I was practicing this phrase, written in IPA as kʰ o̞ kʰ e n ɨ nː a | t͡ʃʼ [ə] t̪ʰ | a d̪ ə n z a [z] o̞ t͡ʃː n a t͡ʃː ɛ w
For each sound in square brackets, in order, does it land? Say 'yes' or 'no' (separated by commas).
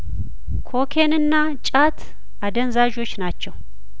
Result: no, no